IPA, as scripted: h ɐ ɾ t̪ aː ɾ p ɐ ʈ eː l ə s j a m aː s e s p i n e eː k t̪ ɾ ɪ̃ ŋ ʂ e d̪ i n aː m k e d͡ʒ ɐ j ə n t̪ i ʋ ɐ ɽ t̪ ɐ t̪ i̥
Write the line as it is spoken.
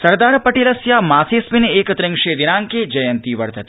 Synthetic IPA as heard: s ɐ ɾ d̪ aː ɾ p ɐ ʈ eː l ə s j a m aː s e s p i n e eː k t̪ ɾ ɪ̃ ŋ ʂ e d̪ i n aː ŋ k e d͡ʒ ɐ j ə n t̪ i ʋ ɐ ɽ t̪ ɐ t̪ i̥